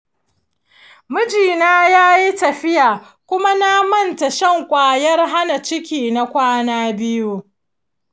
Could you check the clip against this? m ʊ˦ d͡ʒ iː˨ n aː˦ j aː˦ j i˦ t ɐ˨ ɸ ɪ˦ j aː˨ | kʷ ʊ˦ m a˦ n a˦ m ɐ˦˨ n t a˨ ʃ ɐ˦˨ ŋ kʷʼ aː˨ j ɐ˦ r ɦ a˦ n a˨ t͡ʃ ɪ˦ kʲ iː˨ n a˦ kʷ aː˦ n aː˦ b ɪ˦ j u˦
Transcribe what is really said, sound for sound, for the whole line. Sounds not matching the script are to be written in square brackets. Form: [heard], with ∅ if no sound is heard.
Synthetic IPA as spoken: m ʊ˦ d͡ʒ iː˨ n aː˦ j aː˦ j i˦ t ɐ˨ ɸ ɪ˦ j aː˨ | kʷ ʊ˦ m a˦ n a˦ m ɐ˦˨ n t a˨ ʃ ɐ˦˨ ŋ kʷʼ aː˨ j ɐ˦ r ɦ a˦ n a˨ t͡ʃ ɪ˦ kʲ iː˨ n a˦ kʷ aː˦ n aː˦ b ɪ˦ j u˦